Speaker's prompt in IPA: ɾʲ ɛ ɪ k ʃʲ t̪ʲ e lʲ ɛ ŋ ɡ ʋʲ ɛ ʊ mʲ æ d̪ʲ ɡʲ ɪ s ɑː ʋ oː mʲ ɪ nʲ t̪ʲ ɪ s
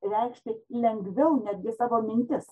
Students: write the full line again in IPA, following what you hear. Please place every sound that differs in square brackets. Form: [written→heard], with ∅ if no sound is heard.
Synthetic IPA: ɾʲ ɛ ɪ k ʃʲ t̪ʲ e lʲ ɛ ŋ ɡ ʋʲ ɛ ʊ [mʲ→nʲ] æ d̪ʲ ɡʲ ɪ s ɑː ʋ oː mʲ ɪ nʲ t̪ʲ ɪ s